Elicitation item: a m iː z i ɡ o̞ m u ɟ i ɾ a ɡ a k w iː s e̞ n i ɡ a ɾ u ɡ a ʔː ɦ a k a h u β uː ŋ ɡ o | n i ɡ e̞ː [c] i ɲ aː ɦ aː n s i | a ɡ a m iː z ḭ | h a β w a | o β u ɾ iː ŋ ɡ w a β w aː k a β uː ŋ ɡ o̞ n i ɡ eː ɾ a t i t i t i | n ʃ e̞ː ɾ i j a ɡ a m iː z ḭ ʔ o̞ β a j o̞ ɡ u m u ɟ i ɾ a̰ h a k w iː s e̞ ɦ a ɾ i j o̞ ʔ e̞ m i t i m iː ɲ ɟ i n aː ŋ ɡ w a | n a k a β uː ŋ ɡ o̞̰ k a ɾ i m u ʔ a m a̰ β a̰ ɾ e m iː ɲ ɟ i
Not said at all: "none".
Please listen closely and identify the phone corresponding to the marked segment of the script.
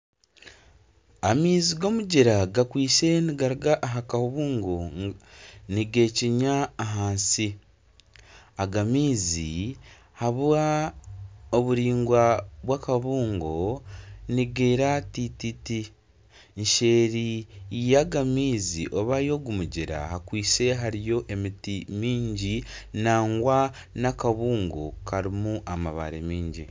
c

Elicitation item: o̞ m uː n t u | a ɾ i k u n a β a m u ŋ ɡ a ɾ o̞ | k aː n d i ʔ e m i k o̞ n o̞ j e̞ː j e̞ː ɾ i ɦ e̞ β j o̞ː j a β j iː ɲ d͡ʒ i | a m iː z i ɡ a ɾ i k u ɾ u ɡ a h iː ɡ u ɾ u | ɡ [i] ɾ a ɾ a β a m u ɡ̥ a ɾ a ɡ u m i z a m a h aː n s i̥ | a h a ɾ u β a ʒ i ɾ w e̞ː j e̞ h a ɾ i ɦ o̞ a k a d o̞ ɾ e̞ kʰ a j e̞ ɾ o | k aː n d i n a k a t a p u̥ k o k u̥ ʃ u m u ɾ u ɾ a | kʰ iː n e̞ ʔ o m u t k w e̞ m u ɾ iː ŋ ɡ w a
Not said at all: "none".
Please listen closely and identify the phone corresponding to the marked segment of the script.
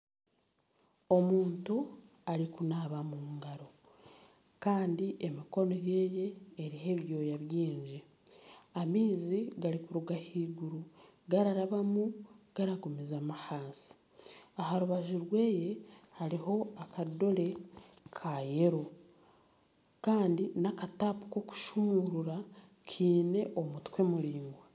a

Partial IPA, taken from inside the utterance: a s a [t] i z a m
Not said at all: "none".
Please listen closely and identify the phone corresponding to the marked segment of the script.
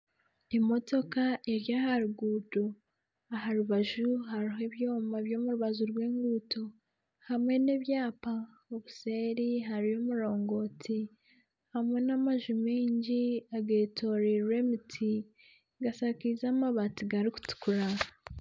k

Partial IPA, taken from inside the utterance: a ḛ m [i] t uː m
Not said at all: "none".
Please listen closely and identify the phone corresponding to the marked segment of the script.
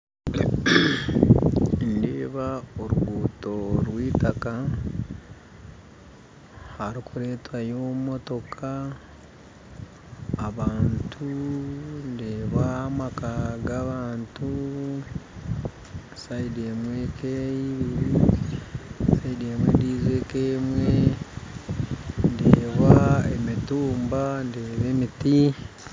i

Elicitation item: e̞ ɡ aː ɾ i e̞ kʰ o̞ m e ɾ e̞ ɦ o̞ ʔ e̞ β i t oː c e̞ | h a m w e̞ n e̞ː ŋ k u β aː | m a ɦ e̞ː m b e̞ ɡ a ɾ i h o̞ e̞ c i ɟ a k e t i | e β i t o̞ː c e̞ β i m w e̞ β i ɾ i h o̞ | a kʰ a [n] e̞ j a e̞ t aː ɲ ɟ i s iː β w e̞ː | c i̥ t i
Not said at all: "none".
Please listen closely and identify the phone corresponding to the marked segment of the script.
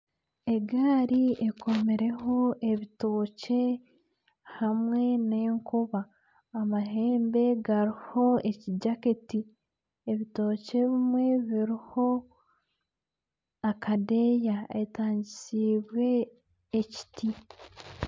d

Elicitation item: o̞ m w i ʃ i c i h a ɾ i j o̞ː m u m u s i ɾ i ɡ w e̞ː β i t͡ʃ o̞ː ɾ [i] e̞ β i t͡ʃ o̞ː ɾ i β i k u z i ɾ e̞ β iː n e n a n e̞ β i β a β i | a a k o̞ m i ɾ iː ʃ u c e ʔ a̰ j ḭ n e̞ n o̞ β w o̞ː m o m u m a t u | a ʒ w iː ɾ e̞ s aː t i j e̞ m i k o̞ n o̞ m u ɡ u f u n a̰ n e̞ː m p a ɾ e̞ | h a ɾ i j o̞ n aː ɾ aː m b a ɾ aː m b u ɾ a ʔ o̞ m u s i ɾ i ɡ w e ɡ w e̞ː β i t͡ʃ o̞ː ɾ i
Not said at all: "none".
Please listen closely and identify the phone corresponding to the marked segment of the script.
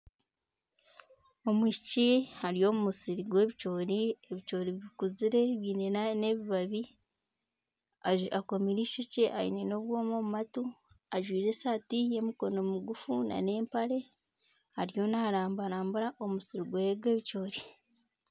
i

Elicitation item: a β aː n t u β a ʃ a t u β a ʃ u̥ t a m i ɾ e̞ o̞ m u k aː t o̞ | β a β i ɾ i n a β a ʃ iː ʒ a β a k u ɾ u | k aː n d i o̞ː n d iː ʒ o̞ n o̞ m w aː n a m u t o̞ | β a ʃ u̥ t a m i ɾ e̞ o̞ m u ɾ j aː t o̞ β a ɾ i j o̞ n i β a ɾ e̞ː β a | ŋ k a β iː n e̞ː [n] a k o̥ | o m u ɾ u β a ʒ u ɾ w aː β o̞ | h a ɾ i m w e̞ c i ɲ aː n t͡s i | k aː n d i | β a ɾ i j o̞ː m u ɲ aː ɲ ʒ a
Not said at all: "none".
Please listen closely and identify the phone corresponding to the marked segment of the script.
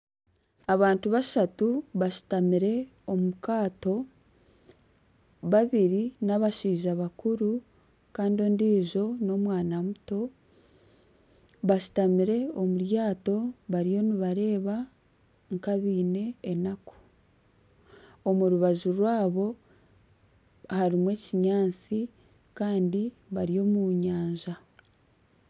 n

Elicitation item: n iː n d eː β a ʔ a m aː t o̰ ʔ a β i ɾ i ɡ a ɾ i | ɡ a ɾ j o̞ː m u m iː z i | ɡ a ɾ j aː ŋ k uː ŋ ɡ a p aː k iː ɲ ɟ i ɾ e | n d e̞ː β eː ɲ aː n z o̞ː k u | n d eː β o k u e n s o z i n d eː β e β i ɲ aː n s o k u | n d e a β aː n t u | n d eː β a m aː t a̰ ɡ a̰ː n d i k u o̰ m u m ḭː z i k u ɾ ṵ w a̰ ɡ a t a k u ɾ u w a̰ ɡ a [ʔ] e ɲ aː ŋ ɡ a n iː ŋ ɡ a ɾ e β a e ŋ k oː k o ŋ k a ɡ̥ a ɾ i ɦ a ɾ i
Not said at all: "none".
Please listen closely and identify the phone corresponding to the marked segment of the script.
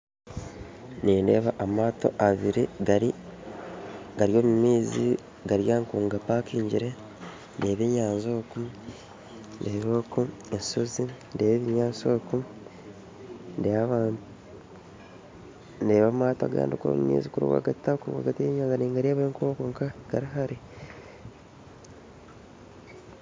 t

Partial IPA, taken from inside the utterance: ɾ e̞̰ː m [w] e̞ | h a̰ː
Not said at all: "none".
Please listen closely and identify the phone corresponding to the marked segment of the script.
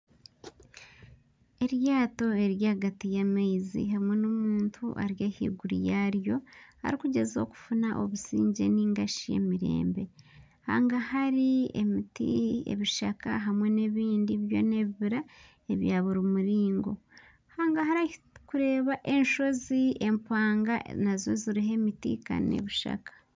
b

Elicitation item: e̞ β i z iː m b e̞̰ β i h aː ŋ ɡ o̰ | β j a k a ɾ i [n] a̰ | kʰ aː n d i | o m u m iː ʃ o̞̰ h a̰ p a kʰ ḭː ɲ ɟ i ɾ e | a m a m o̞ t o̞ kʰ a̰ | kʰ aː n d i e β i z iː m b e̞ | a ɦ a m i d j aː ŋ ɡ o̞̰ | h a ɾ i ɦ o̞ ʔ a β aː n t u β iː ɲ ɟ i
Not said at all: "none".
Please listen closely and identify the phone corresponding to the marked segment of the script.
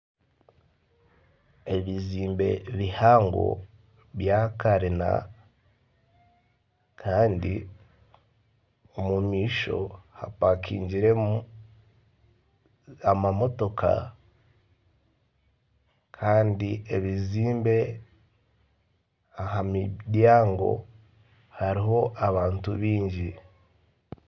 n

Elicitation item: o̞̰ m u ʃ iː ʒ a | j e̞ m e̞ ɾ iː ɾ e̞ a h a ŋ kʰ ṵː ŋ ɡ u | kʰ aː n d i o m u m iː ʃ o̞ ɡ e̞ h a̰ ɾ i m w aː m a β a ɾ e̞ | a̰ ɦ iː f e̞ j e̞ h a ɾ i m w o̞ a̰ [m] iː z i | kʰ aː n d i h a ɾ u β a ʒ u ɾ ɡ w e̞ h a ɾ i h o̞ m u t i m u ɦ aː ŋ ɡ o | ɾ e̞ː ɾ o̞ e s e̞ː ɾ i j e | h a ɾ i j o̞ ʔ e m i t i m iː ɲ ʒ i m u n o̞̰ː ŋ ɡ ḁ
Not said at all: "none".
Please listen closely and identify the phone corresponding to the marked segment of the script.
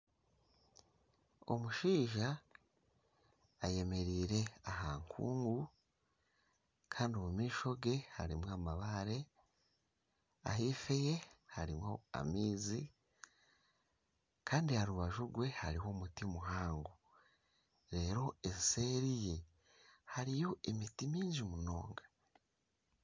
m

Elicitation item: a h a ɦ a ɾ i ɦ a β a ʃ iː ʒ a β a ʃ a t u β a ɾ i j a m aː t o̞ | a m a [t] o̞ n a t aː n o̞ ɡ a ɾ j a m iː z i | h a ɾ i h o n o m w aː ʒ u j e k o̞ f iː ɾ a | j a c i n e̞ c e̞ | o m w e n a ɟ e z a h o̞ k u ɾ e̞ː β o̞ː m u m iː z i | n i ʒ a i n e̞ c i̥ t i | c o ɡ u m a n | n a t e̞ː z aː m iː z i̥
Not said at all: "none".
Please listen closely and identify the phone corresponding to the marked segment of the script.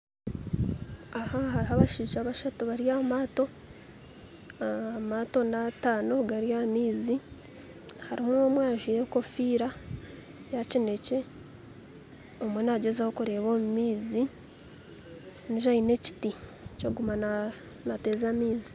t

